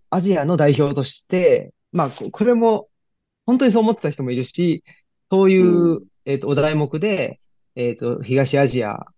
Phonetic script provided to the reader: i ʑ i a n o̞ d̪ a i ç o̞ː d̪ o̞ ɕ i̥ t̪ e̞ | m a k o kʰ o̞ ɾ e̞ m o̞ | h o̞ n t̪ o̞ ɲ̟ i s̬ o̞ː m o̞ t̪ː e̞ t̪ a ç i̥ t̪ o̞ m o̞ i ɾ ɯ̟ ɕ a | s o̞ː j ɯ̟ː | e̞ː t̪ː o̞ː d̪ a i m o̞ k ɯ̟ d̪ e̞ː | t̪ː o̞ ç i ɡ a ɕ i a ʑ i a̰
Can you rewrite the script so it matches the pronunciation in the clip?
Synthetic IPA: a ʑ i a n o̞ d̪ a i ç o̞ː t̪ o̞ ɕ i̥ t̪ e̞ | m a k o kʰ o̞ ɾ e̞ m o̞ | h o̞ n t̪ o̞ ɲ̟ i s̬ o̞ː m o̞ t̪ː e̞ t̪ a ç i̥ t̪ o̞ m o̞ i ɾ ɯ̟ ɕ i | s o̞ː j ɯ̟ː | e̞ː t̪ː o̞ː d̪ a i m o̞ k ɯ̟ d̪ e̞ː | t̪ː o̞ ç i ɡ a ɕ i a ʑ i a̰